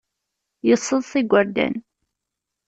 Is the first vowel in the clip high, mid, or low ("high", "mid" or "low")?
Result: mid